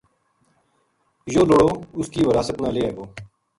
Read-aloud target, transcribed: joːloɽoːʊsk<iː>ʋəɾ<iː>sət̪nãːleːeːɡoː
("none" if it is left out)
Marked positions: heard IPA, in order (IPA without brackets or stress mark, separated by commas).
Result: iː, aː